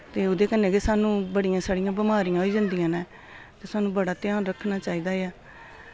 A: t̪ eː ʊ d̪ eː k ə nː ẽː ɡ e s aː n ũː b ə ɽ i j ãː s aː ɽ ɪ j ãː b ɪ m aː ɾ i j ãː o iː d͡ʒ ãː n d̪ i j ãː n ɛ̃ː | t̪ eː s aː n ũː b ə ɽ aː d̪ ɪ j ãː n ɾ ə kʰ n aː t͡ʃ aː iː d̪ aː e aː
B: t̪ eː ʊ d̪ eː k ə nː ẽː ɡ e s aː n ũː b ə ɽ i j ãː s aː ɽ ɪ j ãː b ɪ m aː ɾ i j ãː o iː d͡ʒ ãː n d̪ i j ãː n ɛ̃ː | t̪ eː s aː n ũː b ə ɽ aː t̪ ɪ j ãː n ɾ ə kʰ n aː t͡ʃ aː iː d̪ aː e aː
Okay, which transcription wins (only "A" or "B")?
B